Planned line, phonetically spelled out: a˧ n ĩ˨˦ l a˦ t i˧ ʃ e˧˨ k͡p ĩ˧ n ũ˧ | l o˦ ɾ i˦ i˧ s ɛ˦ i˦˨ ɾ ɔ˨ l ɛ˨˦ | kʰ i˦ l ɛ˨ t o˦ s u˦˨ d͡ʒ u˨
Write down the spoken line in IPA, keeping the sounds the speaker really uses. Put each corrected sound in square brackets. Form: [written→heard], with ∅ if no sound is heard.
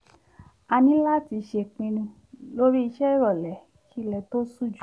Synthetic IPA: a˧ n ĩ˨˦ l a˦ t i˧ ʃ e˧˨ k͡p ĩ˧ n ũ˧ | l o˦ ɾ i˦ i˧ [s→ʃ] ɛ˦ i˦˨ ɾ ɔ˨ l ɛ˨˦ | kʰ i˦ l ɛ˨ t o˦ s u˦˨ d͡ʒ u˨